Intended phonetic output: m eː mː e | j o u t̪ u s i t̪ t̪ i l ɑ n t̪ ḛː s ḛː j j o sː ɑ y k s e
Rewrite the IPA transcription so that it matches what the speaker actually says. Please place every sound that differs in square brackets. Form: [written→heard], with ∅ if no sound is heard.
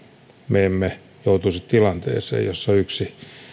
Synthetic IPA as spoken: m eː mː e | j o u t̪ u s i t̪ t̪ i l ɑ n t̪ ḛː s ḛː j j o sː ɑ y k s [e→i]